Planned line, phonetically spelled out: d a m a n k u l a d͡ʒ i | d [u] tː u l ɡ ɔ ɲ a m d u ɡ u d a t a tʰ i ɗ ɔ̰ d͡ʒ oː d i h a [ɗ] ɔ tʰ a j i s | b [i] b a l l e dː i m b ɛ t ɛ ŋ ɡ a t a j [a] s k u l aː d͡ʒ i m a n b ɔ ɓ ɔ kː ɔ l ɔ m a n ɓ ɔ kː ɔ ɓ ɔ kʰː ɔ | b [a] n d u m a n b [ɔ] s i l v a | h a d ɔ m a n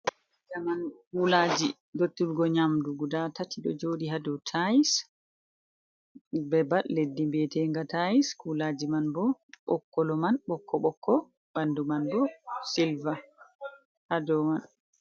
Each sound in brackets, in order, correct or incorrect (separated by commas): incorrect, incorrect, incorrect, incorrect, correct, correct